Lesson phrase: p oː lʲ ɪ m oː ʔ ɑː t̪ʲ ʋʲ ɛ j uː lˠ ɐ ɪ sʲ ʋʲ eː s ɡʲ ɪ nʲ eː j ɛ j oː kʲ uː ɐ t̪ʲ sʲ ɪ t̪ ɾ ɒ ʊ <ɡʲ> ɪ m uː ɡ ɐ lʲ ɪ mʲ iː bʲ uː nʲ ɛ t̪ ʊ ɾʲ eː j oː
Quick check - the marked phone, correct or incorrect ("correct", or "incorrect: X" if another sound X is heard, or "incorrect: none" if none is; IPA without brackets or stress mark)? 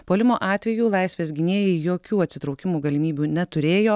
incorrect: kʲ